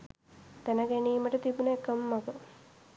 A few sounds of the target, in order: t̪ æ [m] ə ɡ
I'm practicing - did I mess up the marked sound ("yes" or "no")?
yes